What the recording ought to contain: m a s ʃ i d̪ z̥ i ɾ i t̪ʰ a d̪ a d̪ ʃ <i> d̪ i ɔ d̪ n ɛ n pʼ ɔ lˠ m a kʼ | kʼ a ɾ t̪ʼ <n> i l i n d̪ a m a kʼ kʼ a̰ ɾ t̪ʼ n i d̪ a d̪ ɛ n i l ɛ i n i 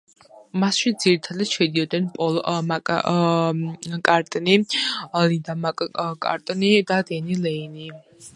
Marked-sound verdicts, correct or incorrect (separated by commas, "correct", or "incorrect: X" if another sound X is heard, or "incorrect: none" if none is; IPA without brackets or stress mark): incorrect: ɛ, correct